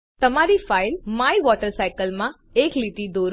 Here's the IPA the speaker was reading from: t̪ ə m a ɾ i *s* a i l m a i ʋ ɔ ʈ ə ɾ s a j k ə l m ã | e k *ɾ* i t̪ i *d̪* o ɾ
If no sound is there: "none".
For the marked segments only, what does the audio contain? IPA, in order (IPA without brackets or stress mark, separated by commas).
f, l, d̪